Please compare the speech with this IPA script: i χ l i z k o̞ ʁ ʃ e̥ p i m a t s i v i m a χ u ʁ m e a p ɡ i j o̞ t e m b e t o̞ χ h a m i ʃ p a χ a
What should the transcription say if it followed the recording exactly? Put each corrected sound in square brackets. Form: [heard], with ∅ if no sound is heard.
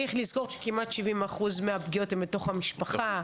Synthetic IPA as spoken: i χ l i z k o̞ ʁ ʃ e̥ [k] i m a t [ʃ] i v i m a χ u [z] m e a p ɡ i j o̞ t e m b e t o̞ χ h a m i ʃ p a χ a